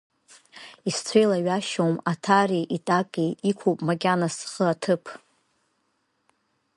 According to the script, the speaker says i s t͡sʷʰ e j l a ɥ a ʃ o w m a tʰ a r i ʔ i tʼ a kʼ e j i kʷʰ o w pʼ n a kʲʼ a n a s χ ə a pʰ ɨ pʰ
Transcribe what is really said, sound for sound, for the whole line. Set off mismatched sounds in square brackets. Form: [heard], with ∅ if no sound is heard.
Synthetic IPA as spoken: i s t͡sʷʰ e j l a ɥ a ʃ o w m a tʰ a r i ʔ i tʼ a kʼ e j i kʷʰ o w pʼ [m] a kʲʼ a n a s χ ə a [tʰ] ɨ pʰ